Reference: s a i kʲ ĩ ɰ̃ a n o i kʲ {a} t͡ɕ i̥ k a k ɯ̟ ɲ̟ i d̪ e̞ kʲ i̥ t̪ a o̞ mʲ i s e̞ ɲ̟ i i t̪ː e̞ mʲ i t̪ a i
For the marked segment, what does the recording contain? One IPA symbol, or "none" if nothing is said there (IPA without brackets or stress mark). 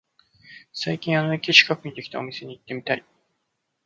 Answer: i